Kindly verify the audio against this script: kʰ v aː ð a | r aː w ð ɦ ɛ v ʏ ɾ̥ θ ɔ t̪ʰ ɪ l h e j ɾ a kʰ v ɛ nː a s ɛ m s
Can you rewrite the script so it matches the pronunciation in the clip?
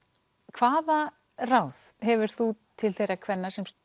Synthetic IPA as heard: kʰ v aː ð a | r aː w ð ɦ ɛ v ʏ ɾ̥ θ u t̪ʰ ɪ l θ e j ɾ a kʰ v ɛ nː a s ɛ m s

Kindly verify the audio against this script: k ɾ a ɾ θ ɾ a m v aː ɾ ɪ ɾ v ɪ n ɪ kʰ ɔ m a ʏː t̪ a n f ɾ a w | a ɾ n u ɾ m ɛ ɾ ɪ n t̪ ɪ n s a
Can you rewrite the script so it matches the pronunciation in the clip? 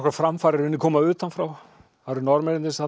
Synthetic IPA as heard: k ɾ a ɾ f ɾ a m f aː ɾ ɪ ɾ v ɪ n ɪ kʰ ɔː m a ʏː t̪ a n f ɾ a w | a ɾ n ɔ ɾ m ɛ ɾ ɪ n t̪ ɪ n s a

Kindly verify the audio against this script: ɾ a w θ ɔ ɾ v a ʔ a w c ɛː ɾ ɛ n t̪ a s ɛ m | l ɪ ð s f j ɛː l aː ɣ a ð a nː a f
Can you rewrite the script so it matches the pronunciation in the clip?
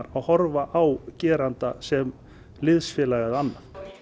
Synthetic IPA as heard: ɾ a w h ɔ ɾ v a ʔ a w c ɛː ɾ a n t̪ a s ɛ m | l ɪ ð s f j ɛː l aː ɣ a ð a nː a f

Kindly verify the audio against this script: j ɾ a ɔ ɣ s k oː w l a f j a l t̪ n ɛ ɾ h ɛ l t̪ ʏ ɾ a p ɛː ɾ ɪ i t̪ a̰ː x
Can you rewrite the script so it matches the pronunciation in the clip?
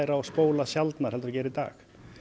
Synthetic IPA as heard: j ɾ a ɔ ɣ s p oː w l a s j a l t̪ n a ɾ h ɛ l t̪ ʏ ɾ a c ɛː ɾ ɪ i t̪ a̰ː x

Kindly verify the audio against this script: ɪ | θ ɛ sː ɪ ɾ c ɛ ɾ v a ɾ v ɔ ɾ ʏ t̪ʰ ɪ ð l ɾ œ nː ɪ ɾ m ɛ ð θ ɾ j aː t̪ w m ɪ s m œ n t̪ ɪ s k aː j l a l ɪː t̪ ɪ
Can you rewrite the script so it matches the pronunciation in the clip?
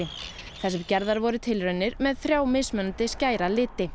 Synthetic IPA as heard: ɪ | θ ɛ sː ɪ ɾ c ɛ ɾ ð a ɾ v ɔ ɾ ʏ t̪ʰ ɪ l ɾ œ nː ɪ ɾ m ɛ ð θ ɾ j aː w m ɪ s m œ n t̪ ɪ s c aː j ɾ a l ɪː t̪ ɪ

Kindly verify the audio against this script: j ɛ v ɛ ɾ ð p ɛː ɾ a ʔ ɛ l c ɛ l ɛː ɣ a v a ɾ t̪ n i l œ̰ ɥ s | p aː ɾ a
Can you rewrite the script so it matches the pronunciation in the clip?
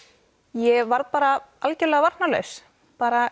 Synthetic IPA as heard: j ɛ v a ɾ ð p aː ɾ a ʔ a l c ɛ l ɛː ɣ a v a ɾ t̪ n a l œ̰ ɥ s | p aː ɾ a

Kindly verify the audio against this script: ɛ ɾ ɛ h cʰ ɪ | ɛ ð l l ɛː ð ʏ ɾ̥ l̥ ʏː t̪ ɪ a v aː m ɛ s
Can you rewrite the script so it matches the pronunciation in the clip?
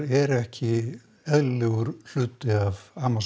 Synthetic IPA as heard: ɛ ɾ ɛ h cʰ ɪ | ɛ ð l l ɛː ɣ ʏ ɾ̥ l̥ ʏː t̪ ɪ a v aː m a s

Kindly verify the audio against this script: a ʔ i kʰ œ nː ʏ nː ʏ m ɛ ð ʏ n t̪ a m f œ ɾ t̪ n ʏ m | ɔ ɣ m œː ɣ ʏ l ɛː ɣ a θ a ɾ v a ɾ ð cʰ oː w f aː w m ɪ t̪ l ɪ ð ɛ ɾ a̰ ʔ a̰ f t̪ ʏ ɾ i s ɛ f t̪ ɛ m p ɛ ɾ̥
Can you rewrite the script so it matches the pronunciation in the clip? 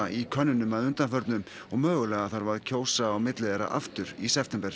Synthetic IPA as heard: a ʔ i kʰ œ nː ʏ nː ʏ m a ð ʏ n t̪ a n f œ ɾ t̪ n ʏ m | ɔ ɣ m œː ɣ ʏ l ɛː ɣ a θ a ɾ v a ɾ ð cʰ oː w s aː w m ɪ t̪ l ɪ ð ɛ ɾ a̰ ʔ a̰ f t̪ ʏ ɾ i s ɛ f t̪ ɛ m p ɛ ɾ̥

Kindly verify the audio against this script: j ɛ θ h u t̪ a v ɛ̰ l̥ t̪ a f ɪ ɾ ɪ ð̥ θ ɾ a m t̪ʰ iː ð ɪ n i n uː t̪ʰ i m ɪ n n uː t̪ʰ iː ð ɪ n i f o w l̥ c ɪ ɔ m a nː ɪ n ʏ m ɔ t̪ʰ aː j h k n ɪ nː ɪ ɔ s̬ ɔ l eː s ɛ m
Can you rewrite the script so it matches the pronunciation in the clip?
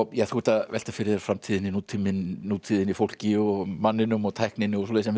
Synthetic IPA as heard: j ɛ θ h u t̪ a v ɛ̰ l̥ t̪ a f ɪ ɾ ɪ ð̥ f ɾ a m t̪ʰ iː ð ɪ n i n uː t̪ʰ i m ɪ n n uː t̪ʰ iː ð ɪ n i f o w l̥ c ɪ ɔ m a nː ɪ n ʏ m ɔ t̪ʰ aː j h k n ɪ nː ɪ ɔ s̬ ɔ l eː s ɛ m

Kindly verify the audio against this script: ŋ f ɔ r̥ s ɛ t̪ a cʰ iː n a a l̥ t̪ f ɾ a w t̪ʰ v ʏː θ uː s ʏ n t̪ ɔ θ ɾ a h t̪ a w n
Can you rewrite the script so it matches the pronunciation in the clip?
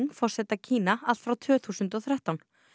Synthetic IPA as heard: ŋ f ɔ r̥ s ɛ t̪ a cʰ iː n a a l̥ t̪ f ɾ a w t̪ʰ v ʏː θ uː s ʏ n t̪ ɔ θ ɾ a h t̪ a w n

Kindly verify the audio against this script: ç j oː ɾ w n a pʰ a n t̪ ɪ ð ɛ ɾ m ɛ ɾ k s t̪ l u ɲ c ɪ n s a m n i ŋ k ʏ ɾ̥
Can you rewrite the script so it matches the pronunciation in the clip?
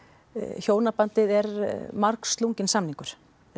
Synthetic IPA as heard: ç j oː w n a p a n t̪ ɪ ð ɛ ɾ m a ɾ k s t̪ l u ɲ c ɪ n s a m n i ŋ k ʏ ɾ̥

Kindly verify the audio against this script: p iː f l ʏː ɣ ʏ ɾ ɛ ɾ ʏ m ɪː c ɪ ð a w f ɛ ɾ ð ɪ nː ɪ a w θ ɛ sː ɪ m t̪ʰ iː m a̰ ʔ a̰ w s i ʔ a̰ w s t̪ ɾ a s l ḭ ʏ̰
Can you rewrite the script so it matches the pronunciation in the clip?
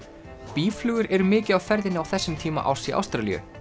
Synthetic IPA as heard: p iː f l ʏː ɣ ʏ ɾ ɛ ɾ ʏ m ɪː c ɪ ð a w f ɛ ɾ ð ɪ n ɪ a w θ ɛ sː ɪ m t̪ʰ iː m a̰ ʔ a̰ w s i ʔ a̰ w s t̪ ɾ a l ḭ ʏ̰

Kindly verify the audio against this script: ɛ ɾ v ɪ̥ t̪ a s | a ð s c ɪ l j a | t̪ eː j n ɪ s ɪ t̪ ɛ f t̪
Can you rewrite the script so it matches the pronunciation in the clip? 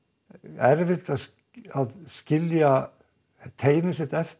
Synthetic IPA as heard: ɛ ɾ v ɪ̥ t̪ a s | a ð s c ɪ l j a | t̪ʰ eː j n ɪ s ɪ t̪ ɛ f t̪

